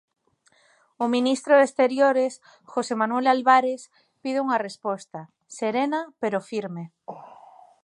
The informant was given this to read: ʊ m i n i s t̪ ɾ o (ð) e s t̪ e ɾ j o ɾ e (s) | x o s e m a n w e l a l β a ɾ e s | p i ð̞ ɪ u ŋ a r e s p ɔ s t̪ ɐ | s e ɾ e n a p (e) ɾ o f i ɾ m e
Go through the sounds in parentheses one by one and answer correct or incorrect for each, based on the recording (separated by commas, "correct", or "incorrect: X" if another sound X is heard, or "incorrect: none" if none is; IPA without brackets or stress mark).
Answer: correct, correct, correct